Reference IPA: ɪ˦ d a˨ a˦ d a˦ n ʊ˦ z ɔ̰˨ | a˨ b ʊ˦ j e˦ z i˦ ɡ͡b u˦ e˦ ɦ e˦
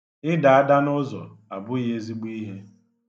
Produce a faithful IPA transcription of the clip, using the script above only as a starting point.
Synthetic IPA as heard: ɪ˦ d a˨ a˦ d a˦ n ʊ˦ z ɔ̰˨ | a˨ b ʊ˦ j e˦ z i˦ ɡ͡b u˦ i˦ ɦ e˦